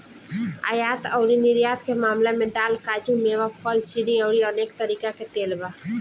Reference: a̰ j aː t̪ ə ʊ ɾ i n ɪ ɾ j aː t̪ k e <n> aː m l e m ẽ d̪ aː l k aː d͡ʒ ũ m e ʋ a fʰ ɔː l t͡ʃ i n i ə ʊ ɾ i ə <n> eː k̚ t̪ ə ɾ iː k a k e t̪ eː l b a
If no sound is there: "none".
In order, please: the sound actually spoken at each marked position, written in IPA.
m, n

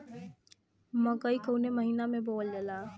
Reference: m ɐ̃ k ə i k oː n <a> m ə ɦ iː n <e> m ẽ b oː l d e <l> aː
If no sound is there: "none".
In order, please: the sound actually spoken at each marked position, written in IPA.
e, a, l

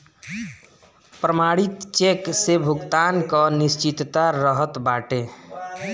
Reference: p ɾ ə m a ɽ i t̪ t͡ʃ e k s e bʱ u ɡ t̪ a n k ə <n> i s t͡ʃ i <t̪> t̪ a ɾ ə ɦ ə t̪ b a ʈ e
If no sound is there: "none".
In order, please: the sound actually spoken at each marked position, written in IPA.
n, t̪

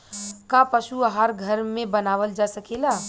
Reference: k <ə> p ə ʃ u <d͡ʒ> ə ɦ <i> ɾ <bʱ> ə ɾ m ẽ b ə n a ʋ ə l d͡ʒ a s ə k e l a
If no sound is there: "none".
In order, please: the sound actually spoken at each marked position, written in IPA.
a, none, a, ɡʱ

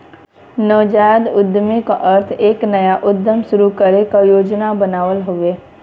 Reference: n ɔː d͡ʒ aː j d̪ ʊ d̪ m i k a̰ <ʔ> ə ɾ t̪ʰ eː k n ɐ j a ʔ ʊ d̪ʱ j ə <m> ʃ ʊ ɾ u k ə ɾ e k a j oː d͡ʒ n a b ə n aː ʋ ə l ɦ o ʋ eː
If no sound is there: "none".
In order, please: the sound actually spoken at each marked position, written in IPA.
ʔ, m

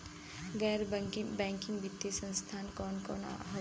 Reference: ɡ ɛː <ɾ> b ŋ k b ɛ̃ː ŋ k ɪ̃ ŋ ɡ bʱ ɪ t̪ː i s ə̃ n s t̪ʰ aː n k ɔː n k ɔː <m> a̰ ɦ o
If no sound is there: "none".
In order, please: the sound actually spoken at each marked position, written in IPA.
ɾ, n

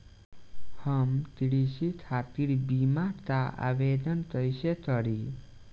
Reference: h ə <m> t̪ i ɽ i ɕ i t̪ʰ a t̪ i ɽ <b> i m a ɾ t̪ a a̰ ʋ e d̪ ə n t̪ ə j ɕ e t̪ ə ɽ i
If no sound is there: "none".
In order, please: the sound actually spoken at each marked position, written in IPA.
m, b

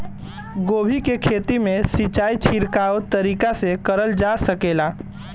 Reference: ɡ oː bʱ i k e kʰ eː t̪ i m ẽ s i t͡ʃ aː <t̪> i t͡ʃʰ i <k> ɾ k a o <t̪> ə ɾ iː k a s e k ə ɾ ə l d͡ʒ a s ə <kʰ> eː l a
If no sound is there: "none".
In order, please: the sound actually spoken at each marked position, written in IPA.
none, none, t̪, k

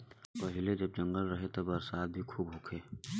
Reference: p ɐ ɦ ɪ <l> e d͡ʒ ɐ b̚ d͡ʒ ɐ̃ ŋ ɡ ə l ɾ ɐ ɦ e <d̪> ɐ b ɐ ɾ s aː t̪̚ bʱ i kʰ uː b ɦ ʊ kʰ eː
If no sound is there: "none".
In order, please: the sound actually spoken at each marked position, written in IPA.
l, t̪

